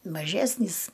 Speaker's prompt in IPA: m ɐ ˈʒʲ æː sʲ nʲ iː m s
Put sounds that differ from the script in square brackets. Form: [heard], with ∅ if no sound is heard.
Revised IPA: m ɐ ˈʒʲ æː sʲ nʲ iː [∅] s